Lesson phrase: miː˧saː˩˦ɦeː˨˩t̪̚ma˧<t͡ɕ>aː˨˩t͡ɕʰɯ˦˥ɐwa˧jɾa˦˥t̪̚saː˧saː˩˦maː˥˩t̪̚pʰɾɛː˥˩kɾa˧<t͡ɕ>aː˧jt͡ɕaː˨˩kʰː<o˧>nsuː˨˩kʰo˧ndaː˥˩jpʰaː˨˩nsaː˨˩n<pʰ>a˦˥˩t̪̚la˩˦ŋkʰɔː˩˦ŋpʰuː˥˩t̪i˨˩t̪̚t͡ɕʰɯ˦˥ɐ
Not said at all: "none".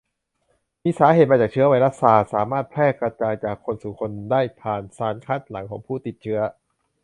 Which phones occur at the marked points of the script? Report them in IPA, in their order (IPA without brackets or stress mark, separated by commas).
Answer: t͡ɕ, t͡ɕ, o˧, kʰ